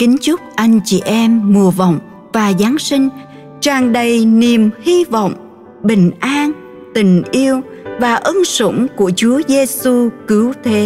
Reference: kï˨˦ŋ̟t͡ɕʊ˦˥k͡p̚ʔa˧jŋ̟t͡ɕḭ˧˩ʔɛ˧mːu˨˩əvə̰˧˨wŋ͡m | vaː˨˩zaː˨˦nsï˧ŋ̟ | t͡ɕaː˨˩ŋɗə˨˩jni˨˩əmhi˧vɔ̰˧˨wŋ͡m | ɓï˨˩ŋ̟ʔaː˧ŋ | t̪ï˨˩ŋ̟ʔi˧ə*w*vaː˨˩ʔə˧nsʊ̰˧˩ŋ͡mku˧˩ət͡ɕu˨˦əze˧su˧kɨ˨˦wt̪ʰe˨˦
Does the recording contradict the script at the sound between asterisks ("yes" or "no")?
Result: no